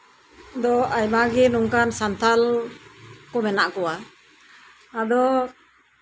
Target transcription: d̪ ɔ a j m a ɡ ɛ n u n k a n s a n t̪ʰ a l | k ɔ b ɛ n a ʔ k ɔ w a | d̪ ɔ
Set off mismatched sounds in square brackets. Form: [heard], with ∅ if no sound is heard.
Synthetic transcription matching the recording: d̪ ɔ a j m a ɡ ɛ n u [ŋ] k a n s a n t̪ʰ a l | k ɔ [m] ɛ n a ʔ k ɔ w a | d̪ ɔ